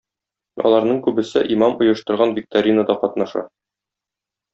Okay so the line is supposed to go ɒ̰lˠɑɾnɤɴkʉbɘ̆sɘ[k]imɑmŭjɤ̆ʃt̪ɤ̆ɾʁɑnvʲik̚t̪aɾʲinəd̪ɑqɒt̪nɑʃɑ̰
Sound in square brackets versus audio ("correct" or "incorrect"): incorrect